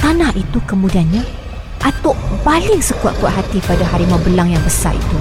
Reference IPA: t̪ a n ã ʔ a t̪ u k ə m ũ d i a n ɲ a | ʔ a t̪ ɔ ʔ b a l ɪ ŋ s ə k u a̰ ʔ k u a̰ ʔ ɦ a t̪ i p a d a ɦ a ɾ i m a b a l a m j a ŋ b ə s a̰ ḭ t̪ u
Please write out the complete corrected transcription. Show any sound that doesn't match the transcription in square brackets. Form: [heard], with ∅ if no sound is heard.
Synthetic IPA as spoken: t̪ a n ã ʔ [i] t̪ u k ə m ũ d i a n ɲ a | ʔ a t̪ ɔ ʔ b a l ɪ ŋ s ə k u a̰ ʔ k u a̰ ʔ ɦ a t̪ i p a d a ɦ a ɾ i m a b [ə] l a [ŋ] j a ŋ b ə s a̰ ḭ t̪ u